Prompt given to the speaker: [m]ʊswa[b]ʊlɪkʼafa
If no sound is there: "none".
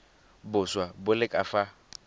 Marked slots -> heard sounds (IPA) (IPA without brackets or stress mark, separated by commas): b, b